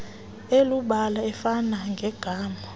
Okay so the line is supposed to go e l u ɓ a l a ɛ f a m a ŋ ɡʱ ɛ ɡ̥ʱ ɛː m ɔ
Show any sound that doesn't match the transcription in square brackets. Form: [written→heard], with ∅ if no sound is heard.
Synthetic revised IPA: e l u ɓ a l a ɛ f a [m→n] a ŋ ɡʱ ɛ ɡ̥ʱ [ɛː→aː] m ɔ